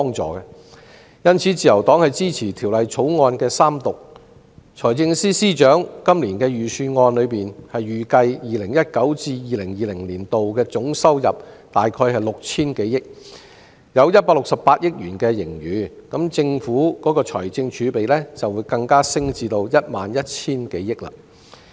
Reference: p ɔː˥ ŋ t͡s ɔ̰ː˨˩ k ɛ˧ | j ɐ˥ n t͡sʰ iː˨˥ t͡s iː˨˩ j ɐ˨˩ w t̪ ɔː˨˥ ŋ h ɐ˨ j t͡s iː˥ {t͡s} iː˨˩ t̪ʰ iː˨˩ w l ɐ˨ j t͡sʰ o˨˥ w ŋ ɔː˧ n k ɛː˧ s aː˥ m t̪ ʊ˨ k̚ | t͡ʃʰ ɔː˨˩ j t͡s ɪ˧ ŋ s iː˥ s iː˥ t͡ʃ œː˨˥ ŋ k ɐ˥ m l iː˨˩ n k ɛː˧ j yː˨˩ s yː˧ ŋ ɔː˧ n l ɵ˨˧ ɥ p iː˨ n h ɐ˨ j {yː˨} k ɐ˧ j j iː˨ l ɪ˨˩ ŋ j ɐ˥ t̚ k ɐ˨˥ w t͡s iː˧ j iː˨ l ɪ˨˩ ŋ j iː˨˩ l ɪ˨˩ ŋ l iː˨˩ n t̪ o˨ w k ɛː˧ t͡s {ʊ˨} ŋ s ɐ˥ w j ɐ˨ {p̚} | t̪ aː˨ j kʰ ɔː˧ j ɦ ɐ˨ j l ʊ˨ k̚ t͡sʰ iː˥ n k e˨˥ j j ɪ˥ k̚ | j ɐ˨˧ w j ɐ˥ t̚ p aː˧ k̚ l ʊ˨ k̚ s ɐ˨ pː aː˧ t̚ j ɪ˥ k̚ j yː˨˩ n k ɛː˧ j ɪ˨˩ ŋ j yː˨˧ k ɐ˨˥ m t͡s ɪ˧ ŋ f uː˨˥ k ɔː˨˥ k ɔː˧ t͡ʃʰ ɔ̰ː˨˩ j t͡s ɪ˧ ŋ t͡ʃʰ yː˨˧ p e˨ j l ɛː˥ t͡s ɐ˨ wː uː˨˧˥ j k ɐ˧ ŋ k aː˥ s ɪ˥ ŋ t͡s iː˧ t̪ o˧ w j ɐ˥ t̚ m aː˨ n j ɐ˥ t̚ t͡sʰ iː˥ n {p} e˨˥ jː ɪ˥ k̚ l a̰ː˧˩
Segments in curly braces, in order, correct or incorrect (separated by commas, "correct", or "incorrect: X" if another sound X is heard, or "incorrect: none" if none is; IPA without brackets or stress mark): incorrect: t͡sʰ, correct, incorrect: ʊ˨˥, correct, incorrect: k